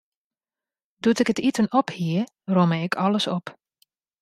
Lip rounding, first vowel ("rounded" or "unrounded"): rounded